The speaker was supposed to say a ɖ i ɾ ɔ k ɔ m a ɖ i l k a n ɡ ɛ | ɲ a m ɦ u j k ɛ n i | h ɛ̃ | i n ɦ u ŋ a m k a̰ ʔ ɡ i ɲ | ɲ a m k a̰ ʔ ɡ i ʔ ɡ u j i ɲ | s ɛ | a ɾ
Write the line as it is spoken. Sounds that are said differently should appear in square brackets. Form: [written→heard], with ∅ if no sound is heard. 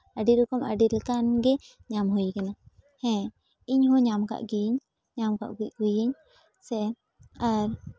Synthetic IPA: a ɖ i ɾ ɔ k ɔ m a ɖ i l k a n ɡ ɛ | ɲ a m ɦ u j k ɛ n [i→a] | h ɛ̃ | i [n→ɲ] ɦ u [ŋ→ɲ] a m k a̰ ʔ ɡ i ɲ | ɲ a m k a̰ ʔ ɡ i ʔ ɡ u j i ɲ | s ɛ | a ɾ